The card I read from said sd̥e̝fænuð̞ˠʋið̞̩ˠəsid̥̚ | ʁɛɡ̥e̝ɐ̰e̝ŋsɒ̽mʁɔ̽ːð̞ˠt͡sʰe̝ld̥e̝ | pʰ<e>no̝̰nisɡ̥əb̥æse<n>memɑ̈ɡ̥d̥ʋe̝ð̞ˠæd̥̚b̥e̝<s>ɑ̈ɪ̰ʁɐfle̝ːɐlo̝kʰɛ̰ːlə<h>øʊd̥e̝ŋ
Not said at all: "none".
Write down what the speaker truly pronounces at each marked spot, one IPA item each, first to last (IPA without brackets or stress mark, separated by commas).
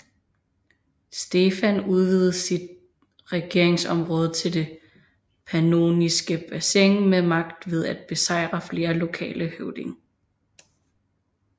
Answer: æ, ŋ, s, h